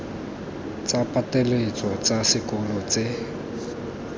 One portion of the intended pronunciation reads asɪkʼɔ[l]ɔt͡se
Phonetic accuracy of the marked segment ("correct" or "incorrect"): correct